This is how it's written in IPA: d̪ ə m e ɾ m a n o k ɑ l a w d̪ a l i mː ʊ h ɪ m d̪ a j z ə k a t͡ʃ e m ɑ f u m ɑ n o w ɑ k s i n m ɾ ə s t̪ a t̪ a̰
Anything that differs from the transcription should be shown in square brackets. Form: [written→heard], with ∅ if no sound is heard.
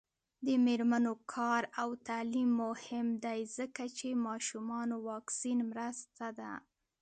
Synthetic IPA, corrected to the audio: d̪ ə m e ɾ m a n o [k→kʰ] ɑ [l→ɾ] a w [d̪→t̪] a l i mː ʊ h ɪ m d̪ a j z ə k a t͡ʃ e m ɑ [f→ʃ] u m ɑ n o w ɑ k s i n m ɾ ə s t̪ a [t̪→d̪] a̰